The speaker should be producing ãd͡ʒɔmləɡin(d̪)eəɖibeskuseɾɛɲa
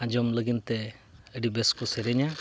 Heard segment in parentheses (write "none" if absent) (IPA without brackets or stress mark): t̪